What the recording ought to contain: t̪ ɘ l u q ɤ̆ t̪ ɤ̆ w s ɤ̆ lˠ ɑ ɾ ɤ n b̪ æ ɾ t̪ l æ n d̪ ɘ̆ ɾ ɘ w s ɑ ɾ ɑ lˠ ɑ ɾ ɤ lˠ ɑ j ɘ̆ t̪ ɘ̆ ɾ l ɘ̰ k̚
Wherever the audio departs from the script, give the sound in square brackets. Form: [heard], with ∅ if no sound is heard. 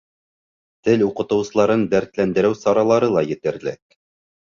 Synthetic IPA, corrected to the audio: t̪ ɘ l u q ɤ̆ t̪ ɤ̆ w s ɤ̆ lˠ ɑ ɾ ɤ n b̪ æ ɾ t̪ l æ n d̪ ɘ̆ ɾ ɘ w s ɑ ɾ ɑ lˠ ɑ ɾ ɤ lˠ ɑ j ɘ̆ t̪ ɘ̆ ɾ l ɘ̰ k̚